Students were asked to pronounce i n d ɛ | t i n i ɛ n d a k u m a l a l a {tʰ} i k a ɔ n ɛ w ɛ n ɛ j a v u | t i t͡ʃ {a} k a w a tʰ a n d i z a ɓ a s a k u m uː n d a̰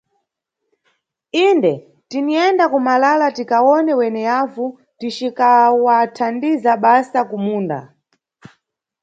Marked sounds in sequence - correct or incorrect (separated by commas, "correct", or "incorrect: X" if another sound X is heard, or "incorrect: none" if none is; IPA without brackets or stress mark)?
incorrect: t, incorrect: i